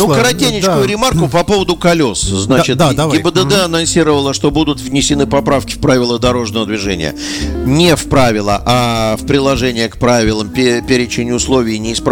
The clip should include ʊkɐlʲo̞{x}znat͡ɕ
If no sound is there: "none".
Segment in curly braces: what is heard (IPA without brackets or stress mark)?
s